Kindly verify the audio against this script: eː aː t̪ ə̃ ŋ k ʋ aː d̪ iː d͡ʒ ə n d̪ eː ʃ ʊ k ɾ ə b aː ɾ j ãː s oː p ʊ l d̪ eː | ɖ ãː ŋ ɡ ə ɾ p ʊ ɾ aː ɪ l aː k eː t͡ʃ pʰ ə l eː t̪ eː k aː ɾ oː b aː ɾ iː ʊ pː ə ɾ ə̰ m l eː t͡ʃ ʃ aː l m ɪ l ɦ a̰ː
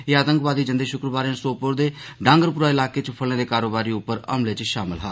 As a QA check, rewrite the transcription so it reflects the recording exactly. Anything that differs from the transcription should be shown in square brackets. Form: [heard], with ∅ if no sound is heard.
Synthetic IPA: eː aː t̪ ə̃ ŋ k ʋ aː d̪ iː d͡ʒ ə n d̪ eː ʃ ʊ k ɾ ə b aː ɾ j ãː s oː p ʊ [ɾ] d̪ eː | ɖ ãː ŋ ɡ ə ɾ p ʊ ɾ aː ɪ l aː k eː t͡ʃ pʰ ə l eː [d̪] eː k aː ɾ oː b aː ɾ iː ʊ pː ə ɾ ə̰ m l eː t͡ʃ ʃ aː [∅] m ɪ l ɦ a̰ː